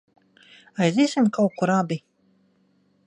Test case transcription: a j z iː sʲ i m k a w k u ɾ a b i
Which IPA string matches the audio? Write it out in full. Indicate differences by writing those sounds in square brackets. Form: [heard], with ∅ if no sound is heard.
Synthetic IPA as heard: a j z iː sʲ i m k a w k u ɾ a b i